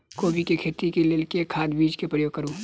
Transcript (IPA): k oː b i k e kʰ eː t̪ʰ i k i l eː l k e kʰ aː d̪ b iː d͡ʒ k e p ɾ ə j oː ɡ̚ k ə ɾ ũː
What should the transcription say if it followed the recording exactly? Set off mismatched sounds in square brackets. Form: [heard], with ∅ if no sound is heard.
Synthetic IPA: k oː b i k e kʰ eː [t̪] i k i l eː l k e kʰ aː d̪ b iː d͡ʒ k e p ɾ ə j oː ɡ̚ k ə ɾ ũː

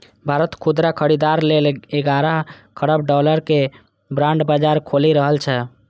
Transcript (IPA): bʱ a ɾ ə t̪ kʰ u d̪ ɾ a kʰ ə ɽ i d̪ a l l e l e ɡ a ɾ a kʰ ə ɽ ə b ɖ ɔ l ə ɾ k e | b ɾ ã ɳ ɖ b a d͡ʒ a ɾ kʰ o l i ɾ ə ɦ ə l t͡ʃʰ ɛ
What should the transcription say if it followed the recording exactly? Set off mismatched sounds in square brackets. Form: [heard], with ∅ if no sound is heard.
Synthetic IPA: bʱ a ɾ ə t̪ kʰ u d̪ ɾ a kʰ ə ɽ i d̪ a [ɾ] l e l e ɡ a ɾ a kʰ ə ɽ ə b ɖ ɔ l ə ɾ k e | b ɾ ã ɳ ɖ b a d͡ʒ a ɾ kʰ o l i ɾ ə ɦ ə l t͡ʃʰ ɛ

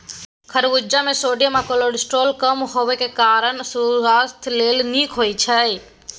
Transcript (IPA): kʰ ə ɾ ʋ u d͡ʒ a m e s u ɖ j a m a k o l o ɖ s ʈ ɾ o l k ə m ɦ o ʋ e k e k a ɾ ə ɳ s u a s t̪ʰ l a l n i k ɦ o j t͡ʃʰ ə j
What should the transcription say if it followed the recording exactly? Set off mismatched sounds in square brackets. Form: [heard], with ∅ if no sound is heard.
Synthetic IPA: kʰ ə ɾ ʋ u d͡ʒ a m e s [o] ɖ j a m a k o l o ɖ s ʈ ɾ o l k ə m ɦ o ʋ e k e k a ɾ ə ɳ s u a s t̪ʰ l [e] l n i k ɦ o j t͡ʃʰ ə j

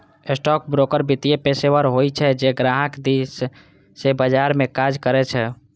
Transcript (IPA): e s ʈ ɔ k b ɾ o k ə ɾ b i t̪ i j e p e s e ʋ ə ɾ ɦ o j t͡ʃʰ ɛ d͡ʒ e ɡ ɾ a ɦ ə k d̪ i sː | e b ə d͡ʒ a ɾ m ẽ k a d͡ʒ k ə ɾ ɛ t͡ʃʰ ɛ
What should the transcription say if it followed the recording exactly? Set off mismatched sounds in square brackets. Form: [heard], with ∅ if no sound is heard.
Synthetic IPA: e s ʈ ɔ k b ɾ o k ə ɾ b i t̪ i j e p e s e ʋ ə ɾ ɦ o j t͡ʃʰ ɛ d͡ʒ e ɡ ɾ a ɦ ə k d̪ i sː | e b ə d͡ʒ a ɾ m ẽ k a d͡ʒ k ə ɾ ɛ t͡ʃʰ ɛ

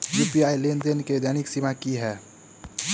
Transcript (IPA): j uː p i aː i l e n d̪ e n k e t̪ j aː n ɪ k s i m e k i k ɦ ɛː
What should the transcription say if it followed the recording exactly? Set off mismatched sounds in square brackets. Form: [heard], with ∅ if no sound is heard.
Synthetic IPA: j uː p i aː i l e n d̪ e n k e [d̪] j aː n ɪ k s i m [a] k i [∅] ɦ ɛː

